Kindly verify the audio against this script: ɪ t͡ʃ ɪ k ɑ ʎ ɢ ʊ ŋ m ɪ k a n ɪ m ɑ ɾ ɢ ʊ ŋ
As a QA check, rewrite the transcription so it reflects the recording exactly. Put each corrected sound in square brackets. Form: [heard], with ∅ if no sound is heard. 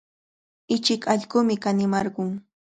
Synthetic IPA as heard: ɪ t͡ʃ ɪ k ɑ ʎ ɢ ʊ [∅] m ɪ k a n ɪ m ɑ ɾ ɢ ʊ ŋ